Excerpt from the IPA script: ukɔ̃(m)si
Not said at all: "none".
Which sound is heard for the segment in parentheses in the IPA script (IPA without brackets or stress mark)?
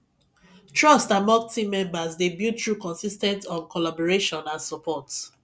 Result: n